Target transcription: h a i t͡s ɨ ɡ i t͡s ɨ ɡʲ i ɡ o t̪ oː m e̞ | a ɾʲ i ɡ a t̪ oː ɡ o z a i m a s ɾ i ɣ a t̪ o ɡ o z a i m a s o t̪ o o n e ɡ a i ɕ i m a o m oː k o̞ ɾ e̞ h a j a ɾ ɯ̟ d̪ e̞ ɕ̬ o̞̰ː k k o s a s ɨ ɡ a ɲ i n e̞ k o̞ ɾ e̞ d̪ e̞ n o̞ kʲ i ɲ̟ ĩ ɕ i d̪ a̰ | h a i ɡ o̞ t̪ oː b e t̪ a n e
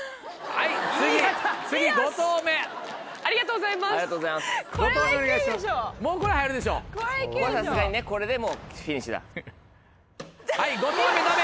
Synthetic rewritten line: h a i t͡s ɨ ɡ i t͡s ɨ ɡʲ i ɡ o t̪ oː m e̞ | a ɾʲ i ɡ a t̪ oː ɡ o z a i m a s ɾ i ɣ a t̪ o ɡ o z a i m a s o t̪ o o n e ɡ a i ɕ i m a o m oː k o̞ ɾ e̞ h a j a ɾ ɯ̟ d̪ e̞ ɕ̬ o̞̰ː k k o s a s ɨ ɡ a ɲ i n e̞ k o̞ ɾ e̞ d̪ e̞ m o̞ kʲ i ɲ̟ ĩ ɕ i d̪ a̰ | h a i ɡ o̞ t̪ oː m e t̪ a m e

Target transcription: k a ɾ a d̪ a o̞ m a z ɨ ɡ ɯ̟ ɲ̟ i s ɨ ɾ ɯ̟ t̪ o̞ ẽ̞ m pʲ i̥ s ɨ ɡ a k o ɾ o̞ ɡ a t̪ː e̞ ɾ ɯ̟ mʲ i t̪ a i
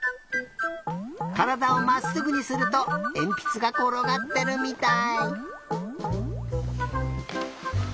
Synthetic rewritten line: k a ɾ a d̪ a o̞ m a s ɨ ɡ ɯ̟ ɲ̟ i s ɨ ɾ ɯ̟ t̪ o̞ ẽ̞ m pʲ i̥ t͡s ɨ ɡ a k o ɾ o̞ ɡ a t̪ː e̞ ɾ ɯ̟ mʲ i t̪ a i

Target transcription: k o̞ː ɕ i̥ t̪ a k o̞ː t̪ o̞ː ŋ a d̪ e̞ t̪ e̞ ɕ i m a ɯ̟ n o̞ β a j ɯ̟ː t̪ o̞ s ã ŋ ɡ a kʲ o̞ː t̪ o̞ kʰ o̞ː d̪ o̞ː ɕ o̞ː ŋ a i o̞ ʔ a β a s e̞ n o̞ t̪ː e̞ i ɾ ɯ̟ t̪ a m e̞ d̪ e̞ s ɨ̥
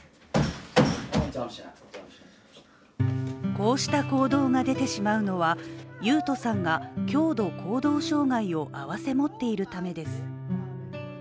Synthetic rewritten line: k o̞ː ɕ i̥ t̪ a k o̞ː d̪ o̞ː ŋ a d̪ e̞ t̪ e̞ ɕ i m a ɯ̟ n o̞ β a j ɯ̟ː t̪ o̞ s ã ŋ ɡ a kʲ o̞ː d̪ o̞ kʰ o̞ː d̪ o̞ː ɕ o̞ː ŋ a i o̞ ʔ a β a s e̞ m o̞ t̪ː e̞ i ɾ ɯ̟ t̪ a m e̞ d̪ e̞ s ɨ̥

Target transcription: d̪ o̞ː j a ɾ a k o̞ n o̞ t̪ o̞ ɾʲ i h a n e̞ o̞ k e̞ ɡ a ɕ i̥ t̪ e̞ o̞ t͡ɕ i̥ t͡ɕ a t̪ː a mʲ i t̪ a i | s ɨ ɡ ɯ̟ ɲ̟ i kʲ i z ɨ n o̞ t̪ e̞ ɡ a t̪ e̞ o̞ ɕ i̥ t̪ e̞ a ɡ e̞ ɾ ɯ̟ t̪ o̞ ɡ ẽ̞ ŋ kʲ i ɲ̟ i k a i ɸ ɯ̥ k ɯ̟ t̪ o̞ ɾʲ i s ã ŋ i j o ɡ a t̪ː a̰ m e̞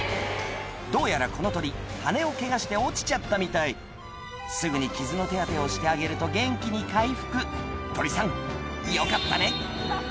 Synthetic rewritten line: d̪ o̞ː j a ɾ a k o̞ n o̞ t̪ o̞ ɾʲ i h a n e̞ o̞ k e̞ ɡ a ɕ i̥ t̪ e̞ o̞ t͡ɕ i̥ t͡ɕ a t̪ː a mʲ i t̪ a i | s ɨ ɡ ɯ̟ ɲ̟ i kʲ i z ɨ n o̞ t̪ e̞ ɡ a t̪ e̞ o̞ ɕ i̥ t̪ e̞ a ɡ e̞ ɾ ɯ̟ t̪ o̞ ɡ ẽ̞ ŋ kʲ i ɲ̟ i k a i ɸ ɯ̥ k ɯ̟ t̪ o̞ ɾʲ i s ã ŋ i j o k a t̪ː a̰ n e̞

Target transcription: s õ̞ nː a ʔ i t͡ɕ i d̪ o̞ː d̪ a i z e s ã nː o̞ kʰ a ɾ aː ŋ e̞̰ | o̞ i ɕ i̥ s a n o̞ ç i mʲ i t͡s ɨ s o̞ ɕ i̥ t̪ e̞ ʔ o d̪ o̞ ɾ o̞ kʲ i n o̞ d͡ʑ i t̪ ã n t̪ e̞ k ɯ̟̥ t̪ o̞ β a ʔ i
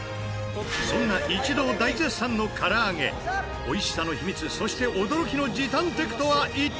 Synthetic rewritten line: s õ̞ nː a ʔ i t͡ɕ i d̪ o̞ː d̪ a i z e s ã nː o̞ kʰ a ɾ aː ŋ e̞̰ | o̞ i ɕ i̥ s a n o̞ ç i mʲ i t͡s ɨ s o̞ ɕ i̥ t̪ e̞ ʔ o d̪ o̞ ɾ o̞ kʲ i n o̞ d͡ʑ i t̪ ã n t̪ e̞ k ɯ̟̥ t̪ o̞ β a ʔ i

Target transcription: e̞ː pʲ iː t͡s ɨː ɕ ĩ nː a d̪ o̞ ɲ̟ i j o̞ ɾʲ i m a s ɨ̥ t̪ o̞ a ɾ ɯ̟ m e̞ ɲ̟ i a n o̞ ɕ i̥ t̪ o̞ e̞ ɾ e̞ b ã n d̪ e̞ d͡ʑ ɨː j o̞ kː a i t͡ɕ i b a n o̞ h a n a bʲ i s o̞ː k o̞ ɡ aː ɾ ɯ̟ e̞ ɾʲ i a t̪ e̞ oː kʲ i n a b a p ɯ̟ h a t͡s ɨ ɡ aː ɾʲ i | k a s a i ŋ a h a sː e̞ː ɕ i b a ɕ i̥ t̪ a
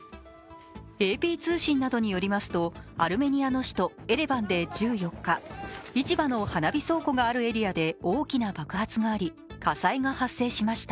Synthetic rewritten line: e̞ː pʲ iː t͡s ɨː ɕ ĩ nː a d̪ o̞ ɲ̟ i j o̞ ɾʲ i m a s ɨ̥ t̪ o̞ a ɾ ɯ̟ m e̞ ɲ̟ i a n o̞ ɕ i̥ t̪ o̞ e̞ ɾ e̞ b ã n d̪ e̞ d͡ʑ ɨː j o̞ kː a i t͡ɕ i b a n o̞ h a n a bʲ i s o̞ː k o̞ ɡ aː ɾ ɯ̟ e̞ ɾʲ i a d̪ e̞ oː kʲ i n a b a k ɯ̟ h a t͡s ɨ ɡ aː ɾʲ i | k a s a i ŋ a h a sː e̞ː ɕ i m a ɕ i̥ t̪ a

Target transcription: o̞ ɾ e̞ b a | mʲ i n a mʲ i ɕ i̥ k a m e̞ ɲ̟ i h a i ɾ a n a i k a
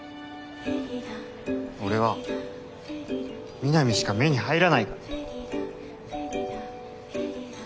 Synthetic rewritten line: o̞ ɾ e̞ β a | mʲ i n a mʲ i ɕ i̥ k a m e̞ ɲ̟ i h a i ɾ a n a i k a

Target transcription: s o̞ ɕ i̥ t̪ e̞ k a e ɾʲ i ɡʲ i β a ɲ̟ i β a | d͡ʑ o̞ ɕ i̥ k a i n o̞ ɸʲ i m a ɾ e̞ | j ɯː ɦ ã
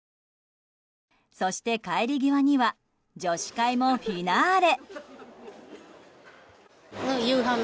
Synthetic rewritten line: s o̞ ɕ i̥ t̪ e̞ k a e ɾʲ i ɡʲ i β a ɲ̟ i β a | d͡ʑ o̞ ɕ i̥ k a i m o̞ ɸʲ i n a ɾ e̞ | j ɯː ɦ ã

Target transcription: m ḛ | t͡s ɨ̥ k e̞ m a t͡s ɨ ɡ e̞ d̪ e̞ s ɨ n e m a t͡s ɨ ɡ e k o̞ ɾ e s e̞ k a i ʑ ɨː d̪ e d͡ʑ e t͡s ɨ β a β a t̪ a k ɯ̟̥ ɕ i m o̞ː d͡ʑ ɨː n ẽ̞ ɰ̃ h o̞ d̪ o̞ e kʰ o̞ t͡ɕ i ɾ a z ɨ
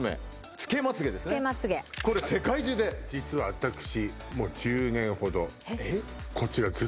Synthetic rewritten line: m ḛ | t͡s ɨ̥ k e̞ m a t͡s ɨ ɡ e̞ d̪ e̞ s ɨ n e m a t͡s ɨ ɡ e k o̞ ɾ e s e̞ k a i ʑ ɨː d̪ e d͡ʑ i t͡s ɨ β a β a t̪ a k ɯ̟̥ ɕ i m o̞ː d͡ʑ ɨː n ẽ̞ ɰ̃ h o̞ d̪ o̞ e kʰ o̞ t͡ɕ i ɾ a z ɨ

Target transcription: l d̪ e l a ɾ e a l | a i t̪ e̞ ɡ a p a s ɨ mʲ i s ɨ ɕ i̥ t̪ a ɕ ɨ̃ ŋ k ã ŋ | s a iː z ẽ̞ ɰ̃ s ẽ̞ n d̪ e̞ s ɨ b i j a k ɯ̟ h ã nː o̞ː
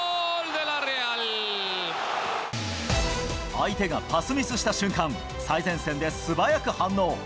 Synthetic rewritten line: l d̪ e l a ɾ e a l | a i t̪ e̞ ɡ a p a s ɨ mʲ i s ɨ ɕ i̥ t̪ a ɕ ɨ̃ ŋ k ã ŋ | s a i z ẽ̞ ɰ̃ s ẽ̞ n d̪ e̞ s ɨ b a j a k ɯ̟ h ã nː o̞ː

